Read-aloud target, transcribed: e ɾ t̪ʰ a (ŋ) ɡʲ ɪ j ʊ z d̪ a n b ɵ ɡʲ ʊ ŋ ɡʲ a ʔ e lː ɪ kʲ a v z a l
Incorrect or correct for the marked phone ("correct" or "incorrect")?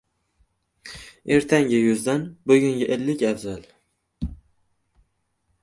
correct